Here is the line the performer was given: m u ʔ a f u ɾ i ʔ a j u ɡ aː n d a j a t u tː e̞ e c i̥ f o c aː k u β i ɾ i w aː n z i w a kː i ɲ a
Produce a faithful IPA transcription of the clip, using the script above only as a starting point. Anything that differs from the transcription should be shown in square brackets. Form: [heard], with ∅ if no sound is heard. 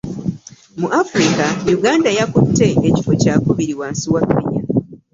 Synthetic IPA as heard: m u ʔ a f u ɾ i [k] a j u ɡ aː n d a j a [k] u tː e̞ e c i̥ f o c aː k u β i ɾ i w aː n [s] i w a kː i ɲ a